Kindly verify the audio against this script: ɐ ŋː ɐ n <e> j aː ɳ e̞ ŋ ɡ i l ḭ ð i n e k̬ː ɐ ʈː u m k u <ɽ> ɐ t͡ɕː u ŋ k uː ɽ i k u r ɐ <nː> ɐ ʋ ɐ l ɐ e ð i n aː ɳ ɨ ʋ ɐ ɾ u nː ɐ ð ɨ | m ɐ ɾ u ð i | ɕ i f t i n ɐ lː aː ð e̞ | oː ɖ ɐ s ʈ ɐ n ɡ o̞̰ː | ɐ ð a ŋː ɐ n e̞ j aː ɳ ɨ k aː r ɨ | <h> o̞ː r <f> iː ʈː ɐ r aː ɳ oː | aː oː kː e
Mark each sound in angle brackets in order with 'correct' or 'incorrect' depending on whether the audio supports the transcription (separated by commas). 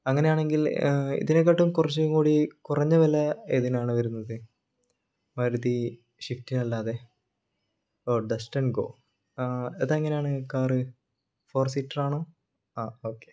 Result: correct, incorrect, incorrect, incorrect, incorrect